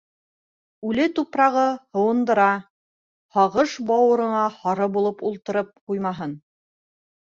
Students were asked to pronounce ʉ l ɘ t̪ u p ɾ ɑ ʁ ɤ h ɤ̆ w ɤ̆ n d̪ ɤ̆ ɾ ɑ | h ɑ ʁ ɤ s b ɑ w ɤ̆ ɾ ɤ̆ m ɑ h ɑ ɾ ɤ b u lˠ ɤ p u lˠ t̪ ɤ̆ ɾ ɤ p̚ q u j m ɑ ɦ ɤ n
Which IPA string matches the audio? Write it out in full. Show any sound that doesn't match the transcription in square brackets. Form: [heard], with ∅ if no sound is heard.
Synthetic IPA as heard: ʉ l ɘ t̪ u p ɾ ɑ ʁ ɤ h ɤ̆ w ɤ̆ n d̪ ɤ̆ ɾ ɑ | h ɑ ʁ ɤ [ʃ] b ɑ w ɤ̆ ɾ ɤ̆ [ɴ] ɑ h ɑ ɾ ɤ b u lˠ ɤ p u lˠ t̪ ɤ̆ ɾ ɤ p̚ q u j m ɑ ɦ ɤ n